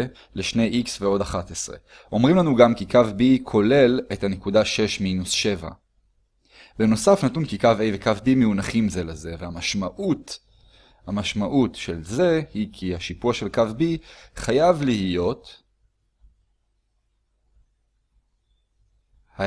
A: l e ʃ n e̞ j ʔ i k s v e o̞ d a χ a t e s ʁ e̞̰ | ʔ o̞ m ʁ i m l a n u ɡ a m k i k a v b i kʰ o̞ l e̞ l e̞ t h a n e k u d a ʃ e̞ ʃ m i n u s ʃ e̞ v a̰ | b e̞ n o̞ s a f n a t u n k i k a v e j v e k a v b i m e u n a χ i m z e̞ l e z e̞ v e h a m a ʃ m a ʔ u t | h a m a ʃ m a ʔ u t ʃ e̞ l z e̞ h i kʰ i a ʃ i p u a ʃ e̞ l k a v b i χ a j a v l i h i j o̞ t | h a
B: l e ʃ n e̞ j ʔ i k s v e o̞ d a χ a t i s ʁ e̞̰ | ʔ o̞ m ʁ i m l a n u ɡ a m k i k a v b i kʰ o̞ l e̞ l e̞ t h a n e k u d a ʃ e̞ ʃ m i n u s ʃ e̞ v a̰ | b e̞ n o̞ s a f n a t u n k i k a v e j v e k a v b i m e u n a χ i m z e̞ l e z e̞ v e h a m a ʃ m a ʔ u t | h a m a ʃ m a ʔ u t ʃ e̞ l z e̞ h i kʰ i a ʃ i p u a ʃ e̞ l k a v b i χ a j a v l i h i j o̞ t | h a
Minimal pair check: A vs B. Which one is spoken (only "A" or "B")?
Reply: A